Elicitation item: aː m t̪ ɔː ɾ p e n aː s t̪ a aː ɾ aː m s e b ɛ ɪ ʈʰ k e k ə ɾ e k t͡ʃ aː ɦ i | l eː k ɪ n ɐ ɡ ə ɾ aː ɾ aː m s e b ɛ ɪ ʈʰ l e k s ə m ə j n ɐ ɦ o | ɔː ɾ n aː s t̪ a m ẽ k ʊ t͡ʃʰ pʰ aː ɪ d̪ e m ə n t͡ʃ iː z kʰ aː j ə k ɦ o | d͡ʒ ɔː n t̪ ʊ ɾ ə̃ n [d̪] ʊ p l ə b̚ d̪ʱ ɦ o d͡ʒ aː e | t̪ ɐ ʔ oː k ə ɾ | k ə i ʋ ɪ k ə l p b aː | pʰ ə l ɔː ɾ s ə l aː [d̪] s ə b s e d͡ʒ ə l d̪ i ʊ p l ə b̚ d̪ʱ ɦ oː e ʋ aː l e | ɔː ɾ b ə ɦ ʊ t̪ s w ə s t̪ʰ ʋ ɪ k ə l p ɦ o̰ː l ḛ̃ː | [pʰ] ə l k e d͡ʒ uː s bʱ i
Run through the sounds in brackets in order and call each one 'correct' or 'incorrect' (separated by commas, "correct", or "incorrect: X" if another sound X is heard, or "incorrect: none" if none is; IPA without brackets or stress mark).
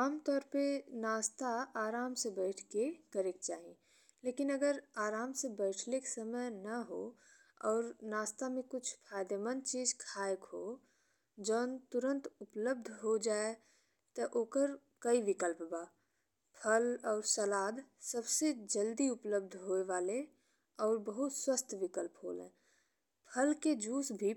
incorrect: t̪, correct, correct